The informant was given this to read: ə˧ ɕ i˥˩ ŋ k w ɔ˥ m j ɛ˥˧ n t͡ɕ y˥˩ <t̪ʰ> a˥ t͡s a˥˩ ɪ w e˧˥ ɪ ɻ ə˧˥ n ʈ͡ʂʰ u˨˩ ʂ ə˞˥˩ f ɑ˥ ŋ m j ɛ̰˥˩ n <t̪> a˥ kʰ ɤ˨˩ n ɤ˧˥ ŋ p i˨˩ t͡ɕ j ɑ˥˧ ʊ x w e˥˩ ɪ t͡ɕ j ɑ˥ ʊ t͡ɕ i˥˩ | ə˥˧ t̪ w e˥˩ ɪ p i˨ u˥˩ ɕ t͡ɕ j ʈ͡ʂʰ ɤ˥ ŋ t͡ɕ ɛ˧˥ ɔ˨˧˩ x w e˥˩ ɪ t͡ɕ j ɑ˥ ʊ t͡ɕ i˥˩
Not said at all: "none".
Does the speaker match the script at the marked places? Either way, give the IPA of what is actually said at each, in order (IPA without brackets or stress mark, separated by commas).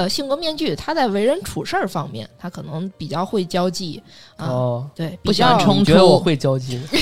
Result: t̪ʰ, t̪ʰ